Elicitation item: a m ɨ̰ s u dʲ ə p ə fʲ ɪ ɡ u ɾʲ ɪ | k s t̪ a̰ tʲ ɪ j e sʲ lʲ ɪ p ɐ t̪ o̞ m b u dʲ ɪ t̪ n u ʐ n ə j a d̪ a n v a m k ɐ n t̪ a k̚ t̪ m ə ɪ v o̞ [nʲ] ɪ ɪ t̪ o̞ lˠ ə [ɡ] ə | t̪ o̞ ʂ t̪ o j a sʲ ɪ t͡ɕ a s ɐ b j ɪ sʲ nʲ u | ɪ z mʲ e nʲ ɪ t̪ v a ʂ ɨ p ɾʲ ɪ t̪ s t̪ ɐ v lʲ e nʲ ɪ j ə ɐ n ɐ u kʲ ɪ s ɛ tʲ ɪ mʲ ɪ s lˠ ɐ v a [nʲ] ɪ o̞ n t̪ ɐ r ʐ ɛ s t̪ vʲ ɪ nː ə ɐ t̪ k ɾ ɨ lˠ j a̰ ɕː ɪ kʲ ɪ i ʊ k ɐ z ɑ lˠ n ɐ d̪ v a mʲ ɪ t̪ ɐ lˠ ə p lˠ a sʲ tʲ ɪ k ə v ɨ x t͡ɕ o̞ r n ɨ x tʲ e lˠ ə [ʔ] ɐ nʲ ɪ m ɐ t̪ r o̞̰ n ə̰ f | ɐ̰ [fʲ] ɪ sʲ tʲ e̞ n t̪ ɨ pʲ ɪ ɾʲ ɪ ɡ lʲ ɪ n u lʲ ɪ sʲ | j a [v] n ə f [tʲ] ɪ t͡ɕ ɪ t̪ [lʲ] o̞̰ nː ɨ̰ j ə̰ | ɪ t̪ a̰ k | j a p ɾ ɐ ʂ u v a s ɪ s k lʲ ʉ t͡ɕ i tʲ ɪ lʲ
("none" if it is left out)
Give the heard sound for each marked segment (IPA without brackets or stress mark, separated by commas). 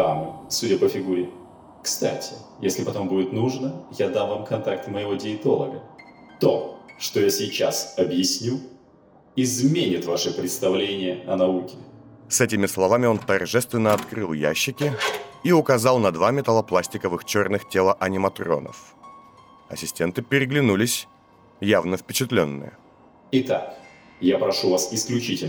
dʲ, ɡ, mʲ, ʔ, sʲ, v, pʲ, lʲ